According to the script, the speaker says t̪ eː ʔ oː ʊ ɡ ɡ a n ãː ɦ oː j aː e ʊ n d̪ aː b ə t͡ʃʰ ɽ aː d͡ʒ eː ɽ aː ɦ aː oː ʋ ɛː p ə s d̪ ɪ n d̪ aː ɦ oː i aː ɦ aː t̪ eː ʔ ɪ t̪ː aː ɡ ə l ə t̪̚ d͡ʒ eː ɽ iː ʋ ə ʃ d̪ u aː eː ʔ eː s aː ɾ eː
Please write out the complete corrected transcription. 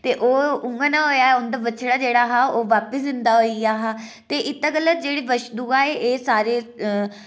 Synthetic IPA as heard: t̪ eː ʔ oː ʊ ŋ ɡ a n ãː ɦ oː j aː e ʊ n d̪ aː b ə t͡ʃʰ ɽ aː d͡ʒ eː ɽ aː ɦ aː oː ʋ aː p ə s d̪ ɪ n d̪ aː ɦ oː i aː ɦ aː t̪ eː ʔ ɪ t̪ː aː ɡ ə l ə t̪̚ d͡ʒ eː ɽ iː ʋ ə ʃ d̪ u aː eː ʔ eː s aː ɾ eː

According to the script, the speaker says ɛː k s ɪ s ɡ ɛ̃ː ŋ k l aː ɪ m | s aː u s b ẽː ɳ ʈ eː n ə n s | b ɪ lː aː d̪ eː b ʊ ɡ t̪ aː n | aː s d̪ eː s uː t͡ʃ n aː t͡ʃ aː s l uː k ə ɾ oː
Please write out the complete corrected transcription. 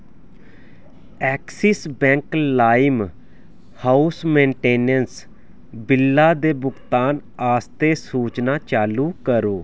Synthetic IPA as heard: ɛː k s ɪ s b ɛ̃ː ŋ k l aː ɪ m | h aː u s m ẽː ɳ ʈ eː n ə n s | b ɪ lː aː d̪ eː b ʊ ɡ t̪ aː n | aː s t̪ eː s uː t͡ʃ n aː t͡ʃ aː l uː k ə ɾ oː

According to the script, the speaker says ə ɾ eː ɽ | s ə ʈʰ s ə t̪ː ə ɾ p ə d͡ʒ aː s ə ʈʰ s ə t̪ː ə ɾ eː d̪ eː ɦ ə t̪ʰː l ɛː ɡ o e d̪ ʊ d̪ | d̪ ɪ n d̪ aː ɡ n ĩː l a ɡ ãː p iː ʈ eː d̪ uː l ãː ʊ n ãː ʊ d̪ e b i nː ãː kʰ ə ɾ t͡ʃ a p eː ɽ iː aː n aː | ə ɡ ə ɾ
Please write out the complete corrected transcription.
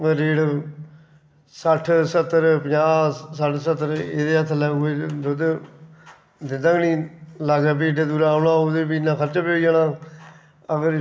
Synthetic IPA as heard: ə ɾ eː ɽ | s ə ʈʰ s ə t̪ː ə ɾ p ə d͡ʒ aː s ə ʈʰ s ə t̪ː ə ɾ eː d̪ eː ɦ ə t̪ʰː l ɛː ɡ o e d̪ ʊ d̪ | d̪ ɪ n d̪ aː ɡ n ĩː l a ɡ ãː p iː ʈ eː d̪ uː ɾ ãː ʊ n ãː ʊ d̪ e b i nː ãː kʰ ə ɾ t͡ʃ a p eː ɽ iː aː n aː | ə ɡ ə ɾ

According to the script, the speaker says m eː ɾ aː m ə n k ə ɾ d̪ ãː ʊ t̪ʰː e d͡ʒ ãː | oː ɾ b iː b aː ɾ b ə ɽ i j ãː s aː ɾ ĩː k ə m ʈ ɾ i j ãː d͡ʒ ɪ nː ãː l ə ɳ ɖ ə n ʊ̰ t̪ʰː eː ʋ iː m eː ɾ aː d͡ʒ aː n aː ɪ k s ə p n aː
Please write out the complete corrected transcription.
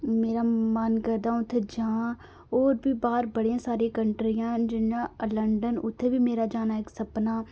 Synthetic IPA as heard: m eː ɾ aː m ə n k ə ɾ d̪ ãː ʊ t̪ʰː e d͡ʒ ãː | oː ɾ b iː b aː ɾ b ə ɽ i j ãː s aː ɾ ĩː k ə ɳ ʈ ɾ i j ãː d͡ʒ ɪ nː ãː l ə ɳ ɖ ə n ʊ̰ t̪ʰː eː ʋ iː m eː ɾ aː d͡ʒ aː n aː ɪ k s ə p n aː

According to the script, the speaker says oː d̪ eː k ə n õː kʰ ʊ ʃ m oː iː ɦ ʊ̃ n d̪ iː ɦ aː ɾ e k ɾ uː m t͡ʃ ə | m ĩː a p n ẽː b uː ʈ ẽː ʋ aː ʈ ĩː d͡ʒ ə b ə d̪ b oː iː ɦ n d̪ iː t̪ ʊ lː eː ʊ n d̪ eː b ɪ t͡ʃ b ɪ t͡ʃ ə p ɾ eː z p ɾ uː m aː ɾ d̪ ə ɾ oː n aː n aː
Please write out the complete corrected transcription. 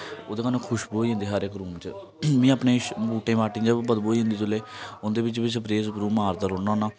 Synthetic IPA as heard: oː d̪ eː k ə n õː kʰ ʊ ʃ b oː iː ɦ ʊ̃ n d̪ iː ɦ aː ɾ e k ɾ uː m t͡ʃ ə | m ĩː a p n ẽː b uː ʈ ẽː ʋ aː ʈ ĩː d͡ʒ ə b ə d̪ b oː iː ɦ n d̪ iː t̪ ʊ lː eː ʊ n d̪ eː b ɪ t͡ʃ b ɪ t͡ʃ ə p ɾ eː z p ɾ uː m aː ɾ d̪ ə ɾ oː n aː n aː

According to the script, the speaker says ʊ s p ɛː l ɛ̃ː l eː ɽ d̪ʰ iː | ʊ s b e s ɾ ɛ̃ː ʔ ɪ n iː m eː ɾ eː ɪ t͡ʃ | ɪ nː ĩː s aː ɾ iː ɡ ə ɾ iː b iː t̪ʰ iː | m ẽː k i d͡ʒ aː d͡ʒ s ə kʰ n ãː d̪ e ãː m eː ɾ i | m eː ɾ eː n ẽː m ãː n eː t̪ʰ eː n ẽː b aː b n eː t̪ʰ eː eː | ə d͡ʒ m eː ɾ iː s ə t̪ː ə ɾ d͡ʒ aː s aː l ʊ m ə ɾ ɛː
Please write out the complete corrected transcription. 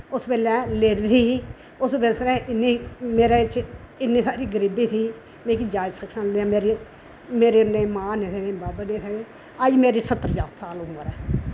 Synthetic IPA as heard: ʊ s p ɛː l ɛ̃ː l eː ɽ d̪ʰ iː | ʊ s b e s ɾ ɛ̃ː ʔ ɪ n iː m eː ɾ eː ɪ t͡ʃ | ɪ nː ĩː s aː ɾ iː ɡ ə ɾ iː b iː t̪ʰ iː | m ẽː k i d͡ʒ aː d͡ʒ s ə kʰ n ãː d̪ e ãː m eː ɾ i | m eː ɾ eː n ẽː m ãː n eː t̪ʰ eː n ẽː b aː b n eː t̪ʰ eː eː | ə d͡ʒ m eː ɾ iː s ə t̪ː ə ɾ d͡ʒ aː s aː l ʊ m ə ɾ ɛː

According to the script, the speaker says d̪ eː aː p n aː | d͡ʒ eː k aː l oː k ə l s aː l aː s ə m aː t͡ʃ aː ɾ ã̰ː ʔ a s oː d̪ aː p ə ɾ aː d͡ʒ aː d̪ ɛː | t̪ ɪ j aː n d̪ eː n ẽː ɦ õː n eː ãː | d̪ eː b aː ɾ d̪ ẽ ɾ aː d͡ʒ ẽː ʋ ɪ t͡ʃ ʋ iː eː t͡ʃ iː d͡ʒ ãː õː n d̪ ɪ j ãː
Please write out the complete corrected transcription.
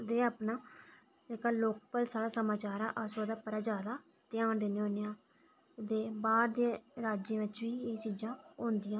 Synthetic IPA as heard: d̪ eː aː p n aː | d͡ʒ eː k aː l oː k ə l s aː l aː s ə m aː t͡ʃ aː ɾ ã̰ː ʔ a s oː d̪ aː p ə ɾ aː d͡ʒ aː d̪ aː | t̪ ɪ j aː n d̪ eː n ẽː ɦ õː n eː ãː | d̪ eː b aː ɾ d̪ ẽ ɾ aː d͡ʒ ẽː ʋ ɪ t͡ʃ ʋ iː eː t͡ʃ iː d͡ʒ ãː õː n d̪ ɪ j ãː

